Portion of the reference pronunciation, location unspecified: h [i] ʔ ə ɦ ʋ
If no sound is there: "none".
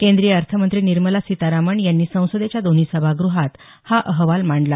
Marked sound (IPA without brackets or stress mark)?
a